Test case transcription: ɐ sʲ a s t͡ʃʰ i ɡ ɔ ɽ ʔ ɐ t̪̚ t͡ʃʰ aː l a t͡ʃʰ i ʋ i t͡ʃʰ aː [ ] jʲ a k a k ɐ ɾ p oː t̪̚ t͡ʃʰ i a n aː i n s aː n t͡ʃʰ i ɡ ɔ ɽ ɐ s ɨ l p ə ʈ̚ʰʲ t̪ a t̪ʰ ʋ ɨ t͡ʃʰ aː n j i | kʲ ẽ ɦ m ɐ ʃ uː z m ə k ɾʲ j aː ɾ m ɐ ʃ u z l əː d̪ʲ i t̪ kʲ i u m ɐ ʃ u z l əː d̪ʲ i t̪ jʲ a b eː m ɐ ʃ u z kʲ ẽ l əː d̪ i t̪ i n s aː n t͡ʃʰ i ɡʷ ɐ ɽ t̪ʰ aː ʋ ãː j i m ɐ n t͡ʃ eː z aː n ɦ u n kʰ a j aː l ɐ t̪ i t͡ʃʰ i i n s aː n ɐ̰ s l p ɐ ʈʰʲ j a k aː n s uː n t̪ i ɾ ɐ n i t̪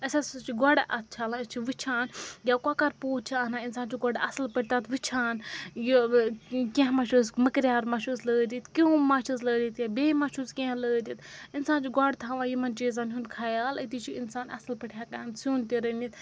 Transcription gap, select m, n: n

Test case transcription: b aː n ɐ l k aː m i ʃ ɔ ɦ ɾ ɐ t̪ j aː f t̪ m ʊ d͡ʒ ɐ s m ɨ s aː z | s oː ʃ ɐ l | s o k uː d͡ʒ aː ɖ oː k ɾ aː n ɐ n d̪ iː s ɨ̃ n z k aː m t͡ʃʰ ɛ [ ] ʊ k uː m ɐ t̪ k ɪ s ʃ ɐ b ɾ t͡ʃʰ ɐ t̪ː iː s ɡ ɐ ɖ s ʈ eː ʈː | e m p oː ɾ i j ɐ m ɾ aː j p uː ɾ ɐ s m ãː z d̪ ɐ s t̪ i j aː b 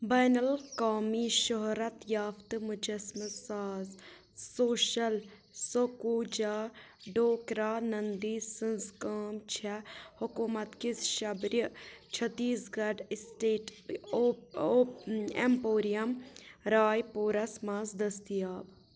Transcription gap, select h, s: h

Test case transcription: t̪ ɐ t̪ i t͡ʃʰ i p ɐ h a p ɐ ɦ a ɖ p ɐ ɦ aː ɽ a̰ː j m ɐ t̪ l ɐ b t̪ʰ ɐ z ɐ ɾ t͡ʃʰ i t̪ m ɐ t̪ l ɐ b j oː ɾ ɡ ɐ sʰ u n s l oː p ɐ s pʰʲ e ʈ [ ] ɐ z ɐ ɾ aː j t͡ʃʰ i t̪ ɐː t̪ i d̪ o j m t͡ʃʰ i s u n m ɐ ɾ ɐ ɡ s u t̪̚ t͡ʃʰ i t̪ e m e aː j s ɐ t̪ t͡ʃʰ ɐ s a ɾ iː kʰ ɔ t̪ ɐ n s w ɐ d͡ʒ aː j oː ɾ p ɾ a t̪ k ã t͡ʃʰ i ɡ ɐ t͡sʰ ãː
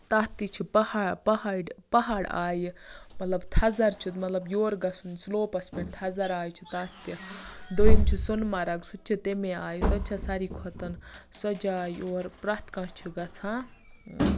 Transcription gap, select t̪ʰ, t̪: t̪ʰ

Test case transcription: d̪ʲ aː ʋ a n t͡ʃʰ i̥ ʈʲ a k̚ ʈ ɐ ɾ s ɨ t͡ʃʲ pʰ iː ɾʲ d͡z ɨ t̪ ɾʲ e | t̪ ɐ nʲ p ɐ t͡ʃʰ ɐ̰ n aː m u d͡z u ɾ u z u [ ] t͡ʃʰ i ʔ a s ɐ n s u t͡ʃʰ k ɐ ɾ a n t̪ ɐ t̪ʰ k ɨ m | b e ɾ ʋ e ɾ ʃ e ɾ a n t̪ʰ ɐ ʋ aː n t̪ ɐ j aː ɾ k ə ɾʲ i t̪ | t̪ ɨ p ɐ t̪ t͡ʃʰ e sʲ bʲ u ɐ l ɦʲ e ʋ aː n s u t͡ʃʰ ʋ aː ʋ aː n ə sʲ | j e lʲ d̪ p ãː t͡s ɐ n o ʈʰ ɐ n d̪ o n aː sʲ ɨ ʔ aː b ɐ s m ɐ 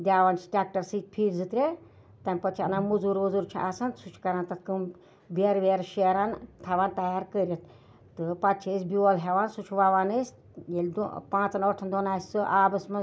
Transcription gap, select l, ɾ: ɾ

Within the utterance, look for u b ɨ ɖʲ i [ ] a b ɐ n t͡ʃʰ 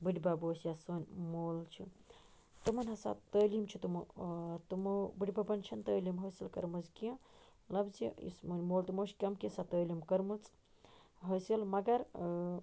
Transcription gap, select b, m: b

